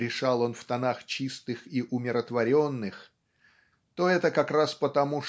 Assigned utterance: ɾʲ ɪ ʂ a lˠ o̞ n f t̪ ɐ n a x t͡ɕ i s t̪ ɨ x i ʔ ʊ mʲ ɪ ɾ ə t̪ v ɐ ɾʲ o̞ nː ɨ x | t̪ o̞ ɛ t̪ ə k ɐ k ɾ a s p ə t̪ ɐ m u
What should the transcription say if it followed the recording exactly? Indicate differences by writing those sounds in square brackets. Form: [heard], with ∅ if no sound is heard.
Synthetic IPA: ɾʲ ɪ ʂ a lˠ o̞ n f t̪ ɐ n a x t͡ɕ i s t̪ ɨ x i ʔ ʊ mʲ ɪ ɾ ə t̪ v ɐ ɾʲ o̞ nː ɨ x | t̪ o̞ ɛ t̪ ə k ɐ k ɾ a s p ə t̪ ɐ m u